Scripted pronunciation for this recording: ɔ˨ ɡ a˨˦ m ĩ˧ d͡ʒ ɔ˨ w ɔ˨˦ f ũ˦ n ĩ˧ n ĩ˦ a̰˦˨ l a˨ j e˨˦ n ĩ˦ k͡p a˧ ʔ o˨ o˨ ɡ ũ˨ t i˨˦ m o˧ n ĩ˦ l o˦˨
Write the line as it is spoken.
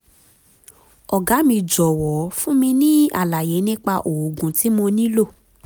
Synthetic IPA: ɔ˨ ɡ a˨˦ m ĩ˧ d͡ʒ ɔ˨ w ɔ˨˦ f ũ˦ m ĩ˧ n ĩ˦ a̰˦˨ l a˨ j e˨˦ n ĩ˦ k͡p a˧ ʔ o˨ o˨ ɡ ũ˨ t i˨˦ m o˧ n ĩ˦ l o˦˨